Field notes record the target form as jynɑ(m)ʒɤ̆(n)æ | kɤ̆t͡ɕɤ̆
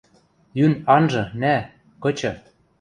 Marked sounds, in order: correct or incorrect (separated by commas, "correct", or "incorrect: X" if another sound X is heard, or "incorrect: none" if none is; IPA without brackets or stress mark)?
incorrect: n, correct